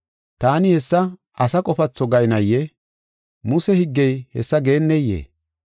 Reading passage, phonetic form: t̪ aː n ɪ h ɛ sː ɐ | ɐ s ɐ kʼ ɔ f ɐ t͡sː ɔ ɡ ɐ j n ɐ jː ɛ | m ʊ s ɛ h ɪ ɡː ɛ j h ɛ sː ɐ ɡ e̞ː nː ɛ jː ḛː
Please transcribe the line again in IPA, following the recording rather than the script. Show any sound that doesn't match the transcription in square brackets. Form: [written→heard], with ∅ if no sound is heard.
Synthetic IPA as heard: t̪ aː n ɪ h ɛ sː ɐ | ɐ s ɐ kʼ ɔ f ɐ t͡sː ɔ ɡ ɐ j n ɐ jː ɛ | m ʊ s ɛ h ɪ ɡː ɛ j h ɛ sː ɐ ɡ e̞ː nː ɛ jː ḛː